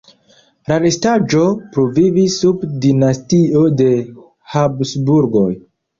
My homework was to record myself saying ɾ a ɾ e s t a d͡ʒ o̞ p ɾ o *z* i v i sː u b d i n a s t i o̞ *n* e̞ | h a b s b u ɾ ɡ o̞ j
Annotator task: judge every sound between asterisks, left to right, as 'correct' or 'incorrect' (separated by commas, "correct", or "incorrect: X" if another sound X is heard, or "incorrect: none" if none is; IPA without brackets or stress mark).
incorrect: v, incorrect: d